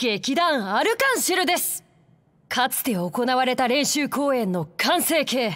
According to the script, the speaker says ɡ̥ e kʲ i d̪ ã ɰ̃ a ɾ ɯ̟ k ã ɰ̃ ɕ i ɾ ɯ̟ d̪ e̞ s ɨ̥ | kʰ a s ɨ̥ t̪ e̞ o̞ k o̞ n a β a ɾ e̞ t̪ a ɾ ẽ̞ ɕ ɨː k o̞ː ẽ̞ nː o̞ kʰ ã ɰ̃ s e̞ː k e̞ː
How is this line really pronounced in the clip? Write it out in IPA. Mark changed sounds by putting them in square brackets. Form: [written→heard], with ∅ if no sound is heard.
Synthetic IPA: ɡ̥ e kʲ i d̪ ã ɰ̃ a ɾ ɯ̟ k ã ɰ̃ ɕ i ɾ ɯ̟ d̪ e̞ s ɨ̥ | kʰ a [s→t͡s] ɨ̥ t̪ e̞ o̞ k o̞ n a β a ɾ e̞ t̪ a ɾ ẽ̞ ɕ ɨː k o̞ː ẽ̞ nː o̞ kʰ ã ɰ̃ s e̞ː k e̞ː